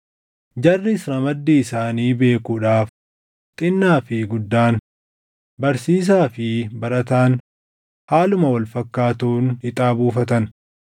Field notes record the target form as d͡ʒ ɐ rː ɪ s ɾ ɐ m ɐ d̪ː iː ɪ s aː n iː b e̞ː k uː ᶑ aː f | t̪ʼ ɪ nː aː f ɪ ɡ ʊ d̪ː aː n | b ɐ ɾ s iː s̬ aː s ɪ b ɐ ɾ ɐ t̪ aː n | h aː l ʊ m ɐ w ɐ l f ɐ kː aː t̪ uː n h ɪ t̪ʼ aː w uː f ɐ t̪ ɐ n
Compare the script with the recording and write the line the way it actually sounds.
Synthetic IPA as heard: d͡ʒ ɐ rː ɪ s ɾ ɐ m ɐ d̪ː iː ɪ s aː n iː b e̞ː k uː ᶑ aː f | t̪ʼ ɪ nː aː f ɪ ɡ ʊ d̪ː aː n | b ɐ ɾ s iː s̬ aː f ɪ b ɐ ɾ ɐ t̪ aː n | h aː l ʊ m ɐ w ɐ l f ɐ kː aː t̪ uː n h ɪ t̪ʼ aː b uː f ɐ t̪ ɐ n

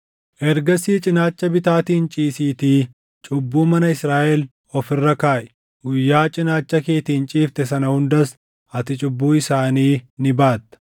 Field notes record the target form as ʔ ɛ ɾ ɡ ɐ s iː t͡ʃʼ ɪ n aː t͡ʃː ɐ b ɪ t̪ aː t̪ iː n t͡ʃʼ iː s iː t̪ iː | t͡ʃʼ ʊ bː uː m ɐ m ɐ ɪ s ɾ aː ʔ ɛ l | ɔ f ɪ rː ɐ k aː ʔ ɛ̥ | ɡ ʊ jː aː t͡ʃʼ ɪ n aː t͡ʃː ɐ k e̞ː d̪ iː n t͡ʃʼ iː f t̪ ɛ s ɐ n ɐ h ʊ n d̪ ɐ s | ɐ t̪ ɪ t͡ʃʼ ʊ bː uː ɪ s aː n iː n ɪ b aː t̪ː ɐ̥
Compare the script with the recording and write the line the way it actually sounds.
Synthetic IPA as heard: ʔ ɛ ɾ ɡ ɐ s iː t͡ʃʼ ɪ n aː t͡ʃː ɐ b ɪ t̪ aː t̪ iː n t͡ʃʼ iː s iː t̪ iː | t͡ʃʼ ʊ bː uː m ɐ n ɐ ɪ s ɾ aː ʔ ɛ l | ɔ f ɪ rː ɐ k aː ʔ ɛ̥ | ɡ ʊ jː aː t͡ʃʼ ɪ n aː t͡ʃː ɐ k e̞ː t̪ iː n t͡ʃʼ iː f t̪ ɛ s ɐ n ɐ h ʊ n d̪ ɐ s | ɐ t̪ ɪ t͡ʃʼ ʊ bː uː ɪ s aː n iː n ɪ b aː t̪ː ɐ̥

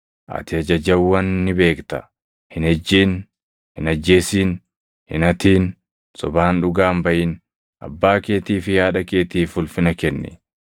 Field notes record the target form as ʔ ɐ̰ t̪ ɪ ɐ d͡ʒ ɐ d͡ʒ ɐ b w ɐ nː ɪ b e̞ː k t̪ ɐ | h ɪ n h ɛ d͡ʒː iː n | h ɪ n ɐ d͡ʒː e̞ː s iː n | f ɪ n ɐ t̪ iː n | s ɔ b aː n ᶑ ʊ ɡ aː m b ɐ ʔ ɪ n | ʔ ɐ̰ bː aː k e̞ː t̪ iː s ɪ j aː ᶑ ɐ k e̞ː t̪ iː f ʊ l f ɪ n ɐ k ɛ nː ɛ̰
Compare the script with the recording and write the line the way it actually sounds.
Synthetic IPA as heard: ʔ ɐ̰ t̪ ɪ ɐ d͡ʒ ɐ d͡ʒ ɐ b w ɐ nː ɪ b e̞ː k t̪ ɐ | h ɪ n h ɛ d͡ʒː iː n | h ɪ n ɐ d͡ʒː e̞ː s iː n | h ɪ n ɐ t̪ iː n | s ɔ b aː n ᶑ ʊ ɡ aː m b ɐ ʔ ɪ n | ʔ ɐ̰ bː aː k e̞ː t̪ iː f ɪ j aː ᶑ ɐ k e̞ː t̪ iː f ʊ l f ɪ n ɐ k ɛ nː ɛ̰

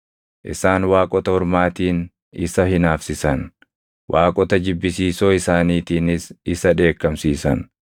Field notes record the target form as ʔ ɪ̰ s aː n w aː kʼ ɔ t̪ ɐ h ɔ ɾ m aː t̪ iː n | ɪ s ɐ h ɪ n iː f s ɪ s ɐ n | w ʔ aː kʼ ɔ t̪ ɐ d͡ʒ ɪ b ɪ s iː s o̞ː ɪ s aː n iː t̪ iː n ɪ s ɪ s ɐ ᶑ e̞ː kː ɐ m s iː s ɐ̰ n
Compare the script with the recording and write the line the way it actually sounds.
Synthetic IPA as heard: ʔ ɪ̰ s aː n w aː kʼ ɔ t̪ ɐ h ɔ ɾ m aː t̪ iː n | ɪ s ɐ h ɪ n aː f s ɪ s ɐ n | w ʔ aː kʼ ɔ t̪ ɐ d͡ʒ ɪ bː ɪ s iː s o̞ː ɪ s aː n iː t̪ iː n ɪ s ɪ s ɐ ᶑ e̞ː kː ɐ m s iː s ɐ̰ n

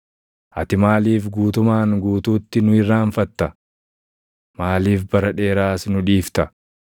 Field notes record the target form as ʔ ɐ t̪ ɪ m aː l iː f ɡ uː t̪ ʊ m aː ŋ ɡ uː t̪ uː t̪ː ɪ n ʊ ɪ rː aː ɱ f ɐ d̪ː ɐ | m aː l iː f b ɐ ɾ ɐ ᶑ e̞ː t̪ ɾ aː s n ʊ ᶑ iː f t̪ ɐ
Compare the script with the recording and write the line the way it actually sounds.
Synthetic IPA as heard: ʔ ɐ t̪ ɪ m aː l iː f ɡ uː t̪ ʊ m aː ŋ ɡ uː t̪ uː t̪ː ɪ n ʊ ɪ rː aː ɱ f ɐ t̪ː ɐ | m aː l iː f b ɐ ɾ ɐ ᶑ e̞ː ɾ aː s n ʊ ᶑ iː f t̪ ɐ

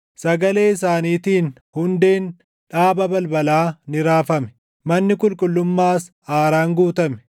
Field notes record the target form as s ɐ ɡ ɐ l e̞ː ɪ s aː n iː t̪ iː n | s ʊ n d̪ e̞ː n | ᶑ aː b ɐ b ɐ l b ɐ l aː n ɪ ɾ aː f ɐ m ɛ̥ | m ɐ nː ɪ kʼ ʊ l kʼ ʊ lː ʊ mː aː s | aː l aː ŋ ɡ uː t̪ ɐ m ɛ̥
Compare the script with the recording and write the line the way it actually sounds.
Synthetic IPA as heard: s ɐ ɡ ɐ l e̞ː ɪ s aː n iː t̪ iː n | h ʊ n d̪ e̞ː n | ᶑ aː b ɐ b ɐ l b ɐ l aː n ɪ ɾ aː f ɐ m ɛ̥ | m ɐ nː ɪ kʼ ʊ l kʼ ʊ lː ʊ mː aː s | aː ɾ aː ŋ ɡ uː t̪ ɐ m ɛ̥

